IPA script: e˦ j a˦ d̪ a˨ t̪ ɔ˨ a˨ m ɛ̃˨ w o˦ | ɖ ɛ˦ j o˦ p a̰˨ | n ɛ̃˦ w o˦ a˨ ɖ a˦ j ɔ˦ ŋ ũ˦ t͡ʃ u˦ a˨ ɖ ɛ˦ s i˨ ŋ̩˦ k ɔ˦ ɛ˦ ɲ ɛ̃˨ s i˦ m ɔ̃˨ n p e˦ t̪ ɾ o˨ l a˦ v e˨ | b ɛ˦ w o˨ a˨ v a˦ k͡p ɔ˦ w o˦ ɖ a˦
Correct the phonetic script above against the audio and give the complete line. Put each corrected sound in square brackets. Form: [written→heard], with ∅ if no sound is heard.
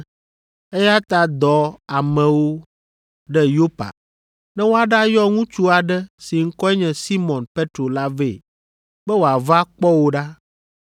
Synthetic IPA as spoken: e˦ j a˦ [d̪→t̪] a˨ [t̪→d̪] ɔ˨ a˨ m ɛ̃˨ w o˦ | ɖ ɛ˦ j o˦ p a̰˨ | n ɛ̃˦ w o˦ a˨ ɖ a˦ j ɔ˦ ŋ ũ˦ t͡ʃ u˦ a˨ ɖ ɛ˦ s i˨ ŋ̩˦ k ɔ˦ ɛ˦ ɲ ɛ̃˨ s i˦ m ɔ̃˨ n p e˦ t̪ ɾ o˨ l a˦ v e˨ | b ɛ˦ w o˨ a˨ v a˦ k͡p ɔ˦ w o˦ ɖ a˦